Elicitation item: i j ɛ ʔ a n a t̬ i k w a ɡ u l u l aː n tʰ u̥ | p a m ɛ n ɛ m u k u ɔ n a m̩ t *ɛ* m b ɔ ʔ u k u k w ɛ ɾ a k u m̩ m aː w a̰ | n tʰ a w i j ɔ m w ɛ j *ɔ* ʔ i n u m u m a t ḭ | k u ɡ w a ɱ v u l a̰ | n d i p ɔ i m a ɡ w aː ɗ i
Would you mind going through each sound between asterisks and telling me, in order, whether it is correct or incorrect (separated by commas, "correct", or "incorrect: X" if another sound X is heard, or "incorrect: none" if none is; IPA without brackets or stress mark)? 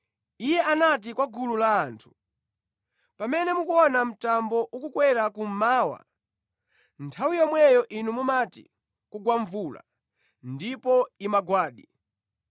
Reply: incorrect: a, correct